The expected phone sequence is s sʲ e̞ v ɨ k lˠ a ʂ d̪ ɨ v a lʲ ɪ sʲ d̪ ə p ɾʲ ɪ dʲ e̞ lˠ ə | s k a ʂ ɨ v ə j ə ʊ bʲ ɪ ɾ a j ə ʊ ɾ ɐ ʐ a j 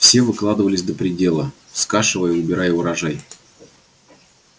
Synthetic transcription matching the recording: f sʲ e̞ v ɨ k lˠ a d̪ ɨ v ə lʲ ɪ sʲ d̪ ə p ɾʲ ɪ dʲ e̞ lˠ ə | s k a ʂ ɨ v ə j ə ʊ bʲ ɪ ɾ a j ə ʊ ɾ ɐ ʐ a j